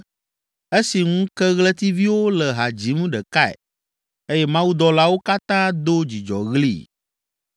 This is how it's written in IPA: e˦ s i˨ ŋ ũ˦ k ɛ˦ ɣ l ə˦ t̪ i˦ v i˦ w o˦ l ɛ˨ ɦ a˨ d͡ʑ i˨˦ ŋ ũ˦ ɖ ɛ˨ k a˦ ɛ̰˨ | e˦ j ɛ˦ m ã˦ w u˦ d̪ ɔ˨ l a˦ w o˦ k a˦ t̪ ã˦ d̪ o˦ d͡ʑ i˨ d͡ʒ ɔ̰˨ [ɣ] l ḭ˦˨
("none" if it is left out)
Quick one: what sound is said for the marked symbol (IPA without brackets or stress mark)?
ɣ